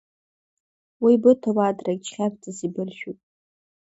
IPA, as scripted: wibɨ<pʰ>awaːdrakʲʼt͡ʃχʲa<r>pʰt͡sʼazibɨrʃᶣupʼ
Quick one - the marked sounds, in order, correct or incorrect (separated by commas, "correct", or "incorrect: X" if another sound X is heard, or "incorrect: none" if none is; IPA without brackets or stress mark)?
incorrect: tʰ, incorrect: none